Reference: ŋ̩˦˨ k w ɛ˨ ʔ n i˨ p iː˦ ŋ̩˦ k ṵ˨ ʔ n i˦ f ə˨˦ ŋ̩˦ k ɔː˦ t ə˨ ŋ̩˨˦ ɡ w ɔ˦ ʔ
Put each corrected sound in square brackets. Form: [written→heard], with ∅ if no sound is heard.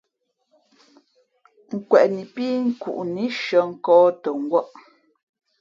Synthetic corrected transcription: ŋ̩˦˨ k w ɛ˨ ʔ n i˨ p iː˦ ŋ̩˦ k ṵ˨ ʔ n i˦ [f→ʃ] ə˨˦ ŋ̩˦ k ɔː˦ t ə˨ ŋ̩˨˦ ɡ w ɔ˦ ʔ